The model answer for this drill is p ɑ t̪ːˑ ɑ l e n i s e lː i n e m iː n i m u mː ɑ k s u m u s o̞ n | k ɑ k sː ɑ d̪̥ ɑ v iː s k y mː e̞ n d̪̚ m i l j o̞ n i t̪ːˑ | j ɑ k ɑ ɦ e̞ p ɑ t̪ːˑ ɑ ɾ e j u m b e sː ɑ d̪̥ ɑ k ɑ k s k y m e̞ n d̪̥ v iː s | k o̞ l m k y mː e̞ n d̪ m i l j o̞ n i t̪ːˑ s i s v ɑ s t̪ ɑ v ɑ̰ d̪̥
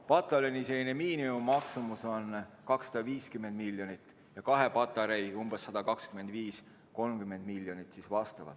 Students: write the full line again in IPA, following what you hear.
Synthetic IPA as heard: p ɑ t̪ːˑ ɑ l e n i s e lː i n e m iː n i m u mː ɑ k s u m u s o̞ n | k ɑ k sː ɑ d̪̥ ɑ v iː s k y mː e̞ n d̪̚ m i l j o̞ n i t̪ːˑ | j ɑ k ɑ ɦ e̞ p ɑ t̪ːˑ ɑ ɾ e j u m b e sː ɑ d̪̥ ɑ k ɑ k s k y m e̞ n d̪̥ v iː s | k o̞ l m k y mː e̞ n d̪ m i l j o̞ n i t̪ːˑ s i s v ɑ s t̪ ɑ v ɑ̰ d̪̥